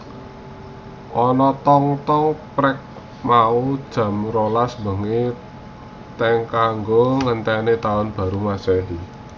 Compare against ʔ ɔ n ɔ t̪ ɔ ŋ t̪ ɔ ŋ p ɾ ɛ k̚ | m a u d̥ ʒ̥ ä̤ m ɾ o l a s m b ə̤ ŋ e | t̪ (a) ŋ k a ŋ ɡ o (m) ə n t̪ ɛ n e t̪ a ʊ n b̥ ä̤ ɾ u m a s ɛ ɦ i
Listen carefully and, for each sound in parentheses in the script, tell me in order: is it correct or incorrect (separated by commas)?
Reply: incorrect, incorrect